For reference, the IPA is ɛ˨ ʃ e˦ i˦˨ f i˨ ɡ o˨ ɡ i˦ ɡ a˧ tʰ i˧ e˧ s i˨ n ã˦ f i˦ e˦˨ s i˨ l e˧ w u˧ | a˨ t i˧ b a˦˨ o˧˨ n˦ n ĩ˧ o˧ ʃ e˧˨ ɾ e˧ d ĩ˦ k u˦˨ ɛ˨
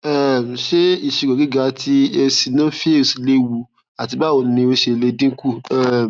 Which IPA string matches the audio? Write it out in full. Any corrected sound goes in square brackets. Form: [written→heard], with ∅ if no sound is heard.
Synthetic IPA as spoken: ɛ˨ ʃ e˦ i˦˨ [f→ʃ] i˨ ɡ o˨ ɡ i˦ ɡ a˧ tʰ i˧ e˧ s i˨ n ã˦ f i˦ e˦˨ s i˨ l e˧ w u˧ | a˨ t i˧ b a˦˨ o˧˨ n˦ n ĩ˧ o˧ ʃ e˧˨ [ɾ→l] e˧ d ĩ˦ k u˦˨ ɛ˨